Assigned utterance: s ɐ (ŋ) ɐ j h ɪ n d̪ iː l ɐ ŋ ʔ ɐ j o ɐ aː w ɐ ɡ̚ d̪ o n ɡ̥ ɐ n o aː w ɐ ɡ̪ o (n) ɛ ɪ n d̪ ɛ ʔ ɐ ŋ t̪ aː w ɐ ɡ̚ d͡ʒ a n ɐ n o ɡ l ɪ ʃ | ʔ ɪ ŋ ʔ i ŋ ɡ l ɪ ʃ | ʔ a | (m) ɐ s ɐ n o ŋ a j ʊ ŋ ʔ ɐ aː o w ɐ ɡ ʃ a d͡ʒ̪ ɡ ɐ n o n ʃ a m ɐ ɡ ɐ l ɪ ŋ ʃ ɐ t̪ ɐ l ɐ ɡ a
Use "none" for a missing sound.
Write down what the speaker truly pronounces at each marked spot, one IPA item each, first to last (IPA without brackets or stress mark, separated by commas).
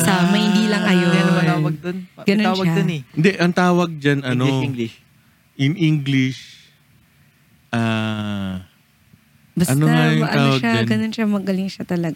m, n, b